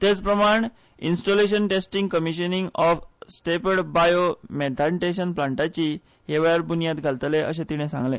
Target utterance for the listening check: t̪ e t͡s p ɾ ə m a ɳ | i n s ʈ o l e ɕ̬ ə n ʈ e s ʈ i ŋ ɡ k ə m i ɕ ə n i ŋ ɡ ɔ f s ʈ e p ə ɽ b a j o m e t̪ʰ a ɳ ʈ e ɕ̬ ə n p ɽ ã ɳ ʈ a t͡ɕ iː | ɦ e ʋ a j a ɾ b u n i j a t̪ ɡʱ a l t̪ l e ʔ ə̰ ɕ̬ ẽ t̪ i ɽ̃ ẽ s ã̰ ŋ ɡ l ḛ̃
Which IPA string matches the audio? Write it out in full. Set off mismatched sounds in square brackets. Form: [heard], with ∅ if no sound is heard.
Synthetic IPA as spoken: t̪ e t͡s p ɾ ə m a ɳ | i n s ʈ o l e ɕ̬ ə n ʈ e s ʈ i ŋ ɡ k ə m i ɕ ə n i ŋ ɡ ɔ f s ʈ e p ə ɽ b a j o m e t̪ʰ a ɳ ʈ e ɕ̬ ə n p [l] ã ɳ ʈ a t͡ɕ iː | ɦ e ʋ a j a ɾ b u n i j a t̪ ɡʱ a l t̪ l e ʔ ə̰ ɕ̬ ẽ t̪ i ɽ̃ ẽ s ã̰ ŋ ɡ l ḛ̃